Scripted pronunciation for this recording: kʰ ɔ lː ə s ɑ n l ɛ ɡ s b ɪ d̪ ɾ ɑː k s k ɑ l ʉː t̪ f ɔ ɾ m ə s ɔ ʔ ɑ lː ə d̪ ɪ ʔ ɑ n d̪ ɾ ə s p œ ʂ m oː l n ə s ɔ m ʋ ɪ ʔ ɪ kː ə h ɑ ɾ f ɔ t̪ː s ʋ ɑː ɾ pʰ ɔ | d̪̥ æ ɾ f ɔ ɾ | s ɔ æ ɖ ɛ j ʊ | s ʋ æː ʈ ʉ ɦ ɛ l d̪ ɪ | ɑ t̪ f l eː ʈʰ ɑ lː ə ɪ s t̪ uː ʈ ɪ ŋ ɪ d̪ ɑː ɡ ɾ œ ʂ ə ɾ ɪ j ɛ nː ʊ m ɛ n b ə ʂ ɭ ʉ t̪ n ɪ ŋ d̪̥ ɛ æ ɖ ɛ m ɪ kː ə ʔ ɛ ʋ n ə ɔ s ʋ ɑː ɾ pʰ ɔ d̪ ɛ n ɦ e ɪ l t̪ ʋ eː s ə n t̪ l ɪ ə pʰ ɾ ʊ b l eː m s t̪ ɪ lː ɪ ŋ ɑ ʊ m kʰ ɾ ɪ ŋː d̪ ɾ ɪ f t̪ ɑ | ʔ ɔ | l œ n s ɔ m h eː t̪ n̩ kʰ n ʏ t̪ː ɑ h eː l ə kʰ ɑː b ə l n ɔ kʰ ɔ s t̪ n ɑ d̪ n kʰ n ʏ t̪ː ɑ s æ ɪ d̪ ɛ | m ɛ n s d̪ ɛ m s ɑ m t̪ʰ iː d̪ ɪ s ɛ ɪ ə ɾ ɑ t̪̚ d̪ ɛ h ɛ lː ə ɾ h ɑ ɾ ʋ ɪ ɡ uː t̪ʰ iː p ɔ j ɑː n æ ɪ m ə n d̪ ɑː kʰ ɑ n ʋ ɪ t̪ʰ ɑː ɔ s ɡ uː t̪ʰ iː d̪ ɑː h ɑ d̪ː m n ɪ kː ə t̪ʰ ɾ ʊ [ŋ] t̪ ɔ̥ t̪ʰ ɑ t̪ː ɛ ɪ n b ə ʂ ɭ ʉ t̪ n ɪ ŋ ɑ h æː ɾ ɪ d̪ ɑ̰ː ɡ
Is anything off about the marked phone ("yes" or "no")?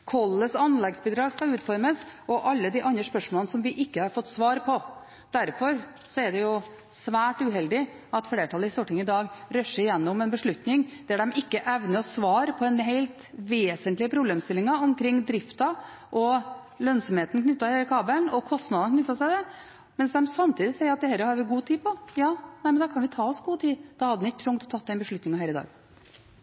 no